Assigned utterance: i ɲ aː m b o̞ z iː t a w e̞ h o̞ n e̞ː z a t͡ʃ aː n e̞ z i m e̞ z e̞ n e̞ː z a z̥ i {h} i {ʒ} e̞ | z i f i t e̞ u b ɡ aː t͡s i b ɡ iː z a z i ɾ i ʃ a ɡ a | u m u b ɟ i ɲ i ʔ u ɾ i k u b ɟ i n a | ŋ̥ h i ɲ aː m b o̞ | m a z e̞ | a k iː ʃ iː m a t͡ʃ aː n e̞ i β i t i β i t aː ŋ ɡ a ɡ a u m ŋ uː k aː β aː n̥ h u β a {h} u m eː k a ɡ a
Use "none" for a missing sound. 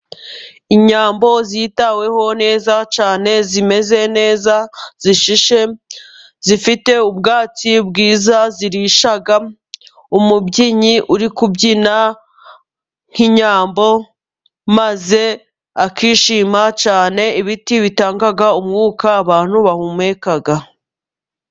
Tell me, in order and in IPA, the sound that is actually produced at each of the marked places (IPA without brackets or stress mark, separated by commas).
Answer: ʃ, ʃ, h